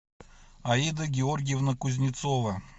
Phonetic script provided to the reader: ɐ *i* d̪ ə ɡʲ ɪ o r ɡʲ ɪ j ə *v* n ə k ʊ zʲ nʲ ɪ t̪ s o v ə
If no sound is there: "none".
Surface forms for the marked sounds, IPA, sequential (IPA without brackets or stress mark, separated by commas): i, v